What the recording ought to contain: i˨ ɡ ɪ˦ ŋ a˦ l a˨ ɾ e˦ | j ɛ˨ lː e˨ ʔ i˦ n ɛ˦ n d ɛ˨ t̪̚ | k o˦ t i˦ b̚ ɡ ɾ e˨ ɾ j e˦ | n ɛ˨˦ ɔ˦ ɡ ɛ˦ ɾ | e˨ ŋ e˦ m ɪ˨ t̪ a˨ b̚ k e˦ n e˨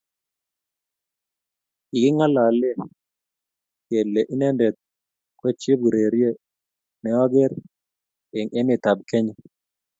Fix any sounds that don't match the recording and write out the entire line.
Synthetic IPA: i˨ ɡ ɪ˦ ŋ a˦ l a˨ l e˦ | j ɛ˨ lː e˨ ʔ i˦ n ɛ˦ n d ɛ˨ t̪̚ | k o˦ t͡ʃ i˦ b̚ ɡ ɾ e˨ ɾ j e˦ | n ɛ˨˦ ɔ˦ ɡ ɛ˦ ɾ | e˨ ŋ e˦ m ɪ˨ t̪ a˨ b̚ k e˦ ɲ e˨